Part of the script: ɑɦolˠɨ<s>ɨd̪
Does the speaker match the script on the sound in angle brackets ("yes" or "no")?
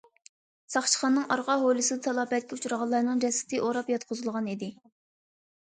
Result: yes